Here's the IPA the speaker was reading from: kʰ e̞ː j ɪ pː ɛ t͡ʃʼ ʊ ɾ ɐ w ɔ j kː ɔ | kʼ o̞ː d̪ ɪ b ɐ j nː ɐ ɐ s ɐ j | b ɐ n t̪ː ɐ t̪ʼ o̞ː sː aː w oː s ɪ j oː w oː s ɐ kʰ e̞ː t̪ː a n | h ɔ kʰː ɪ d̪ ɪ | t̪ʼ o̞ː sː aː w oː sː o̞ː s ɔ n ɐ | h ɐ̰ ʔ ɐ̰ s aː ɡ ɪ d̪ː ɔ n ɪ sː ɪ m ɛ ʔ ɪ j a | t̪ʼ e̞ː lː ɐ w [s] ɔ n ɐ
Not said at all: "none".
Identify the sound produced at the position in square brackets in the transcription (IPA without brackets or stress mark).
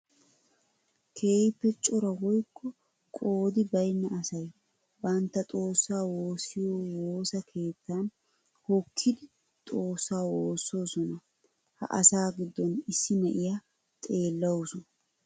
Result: s